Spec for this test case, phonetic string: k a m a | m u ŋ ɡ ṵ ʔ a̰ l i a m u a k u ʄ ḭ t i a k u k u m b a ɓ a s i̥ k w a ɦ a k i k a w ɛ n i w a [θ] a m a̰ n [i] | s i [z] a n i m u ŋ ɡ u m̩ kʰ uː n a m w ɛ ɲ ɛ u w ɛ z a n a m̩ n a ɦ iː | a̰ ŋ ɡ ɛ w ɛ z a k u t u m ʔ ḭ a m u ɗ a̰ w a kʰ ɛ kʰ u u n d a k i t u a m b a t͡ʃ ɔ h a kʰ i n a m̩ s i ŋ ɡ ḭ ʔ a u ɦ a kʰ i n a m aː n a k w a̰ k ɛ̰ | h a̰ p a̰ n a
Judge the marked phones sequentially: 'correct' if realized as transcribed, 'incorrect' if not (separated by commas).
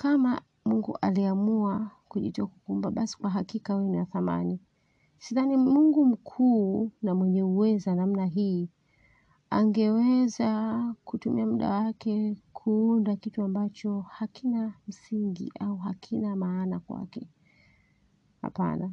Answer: correct, correct, incorrect